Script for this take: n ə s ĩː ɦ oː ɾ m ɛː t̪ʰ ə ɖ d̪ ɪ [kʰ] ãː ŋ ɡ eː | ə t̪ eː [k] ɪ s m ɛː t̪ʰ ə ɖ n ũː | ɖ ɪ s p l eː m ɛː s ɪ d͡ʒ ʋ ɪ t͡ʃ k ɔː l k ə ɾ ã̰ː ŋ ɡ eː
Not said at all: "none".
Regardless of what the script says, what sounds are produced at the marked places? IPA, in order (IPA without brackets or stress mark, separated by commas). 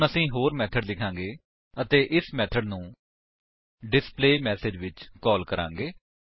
kʰ, ʔ